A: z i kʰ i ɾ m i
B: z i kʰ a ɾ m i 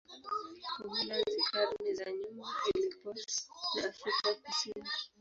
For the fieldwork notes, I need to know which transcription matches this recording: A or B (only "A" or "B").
B